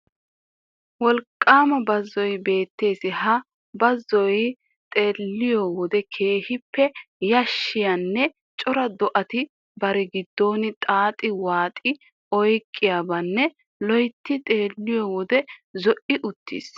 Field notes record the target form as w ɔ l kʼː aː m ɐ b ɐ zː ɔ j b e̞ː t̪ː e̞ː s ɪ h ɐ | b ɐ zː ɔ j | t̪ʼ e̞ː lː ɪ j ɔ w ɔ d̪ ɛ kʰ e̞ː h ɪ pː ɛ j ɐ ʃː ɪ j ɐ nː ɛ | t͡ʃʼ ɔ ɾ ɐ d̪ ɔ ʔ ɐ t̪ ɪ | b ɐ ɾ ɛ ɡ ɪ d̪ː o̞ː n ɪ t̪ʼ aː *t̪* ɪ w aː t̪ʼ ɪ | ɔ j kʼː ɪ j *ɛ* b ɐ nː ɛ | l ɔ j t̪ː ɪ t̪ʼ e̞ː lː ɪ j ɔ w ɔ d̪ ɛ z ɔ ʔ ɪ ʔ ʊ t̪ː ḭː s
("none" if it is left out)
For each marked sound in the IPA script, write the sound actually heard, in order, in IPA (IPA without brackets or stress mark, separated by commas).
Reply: t̪ʼ, a